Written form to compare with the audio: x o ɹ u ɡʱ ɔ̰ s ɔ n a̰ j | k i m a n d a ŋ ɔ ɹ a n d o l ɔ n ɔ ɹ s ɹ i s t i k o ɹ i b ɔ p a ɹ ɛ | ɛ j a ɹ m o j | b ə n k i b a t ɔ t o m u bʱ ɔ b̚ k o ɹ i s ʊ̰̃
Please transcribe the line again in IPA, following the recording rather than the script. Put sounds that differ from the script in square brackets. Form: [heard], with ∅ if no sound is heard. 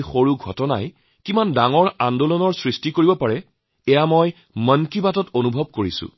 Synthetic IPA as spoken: x o ɹ u ɡʱ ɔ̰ [t] ɔ n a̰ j | k i m a n d a ŋ ɔ ɹ a n d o l ɔ n ɔ ɹ s ɹ i s t i k o ɹ i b ɔ p a ɹ ɛ | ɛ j a [∅] m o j | [m] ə n k i b a t ɔ t o [n] u bʱ ɔ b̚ k o ɹ i s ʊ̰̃

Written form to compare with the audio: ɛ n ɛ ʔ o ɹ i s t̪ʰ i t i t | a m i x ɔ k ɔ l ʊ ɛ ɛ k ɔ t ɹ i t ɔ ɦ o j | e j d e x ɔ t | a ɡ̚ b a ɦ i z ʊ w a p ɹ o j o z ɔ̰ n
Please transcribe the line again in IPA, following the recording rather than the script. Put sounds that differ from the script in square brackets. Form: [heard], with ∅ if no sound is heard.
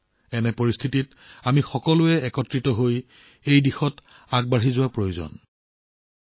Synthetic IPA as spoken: ɛ n ɛ [p] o ɹ i s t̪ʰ i t i t | a m i x ɔ k ɔ l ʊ ɛ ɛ k ɔ t ɹ i t ɔ ɦ o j | e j d [i] x ɔ t | a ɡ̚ b a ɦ i z ʊ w a p ɹ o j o z ɔ̰ n

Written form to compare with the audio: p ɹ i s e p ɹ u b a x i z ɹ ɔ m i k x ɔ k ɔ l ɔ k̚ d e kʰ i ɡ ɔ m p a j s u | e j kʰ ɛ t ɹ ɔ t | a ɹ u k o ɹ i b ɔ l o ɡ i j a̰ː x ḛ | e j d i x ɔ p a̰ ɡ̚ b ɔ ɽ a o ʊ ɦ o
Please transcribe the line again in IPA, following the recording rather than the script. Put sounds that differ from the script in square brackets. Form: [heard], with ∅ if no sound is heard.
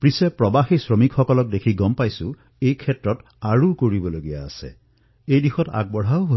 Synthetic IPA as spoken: p ɹ i s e p ɹ [ɔ] b a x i [s] ɹ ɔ m i k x ɔ k ɔ l ɔ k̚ d e kʰ i ɡ ɔ m p a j s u | e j kʰ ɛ t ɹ ɔ t | a ɹ u k o ɹ i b ɔ l o ɡ i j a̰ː [s] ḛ | e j d i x ɔ [t] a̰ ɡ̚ b ɔ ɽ a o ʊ ɦ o

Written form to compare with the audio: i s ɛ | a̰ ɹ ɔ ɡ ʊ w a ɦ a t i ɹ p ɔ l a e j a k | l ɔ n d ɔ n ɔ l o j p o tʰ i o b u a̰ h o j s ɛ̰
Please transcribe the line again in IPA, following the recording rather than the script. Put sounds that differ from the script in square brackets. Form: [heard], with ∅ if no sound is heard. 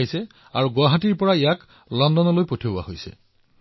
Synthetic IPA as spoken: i s ɛ | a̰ ɹ [u] ɡ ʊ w a ɦ a t i ɹ p ɔ [ɹ] a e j a k | l ɔ n d ɔ n ɔ l o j p o tʰ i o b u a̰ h o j s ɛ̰

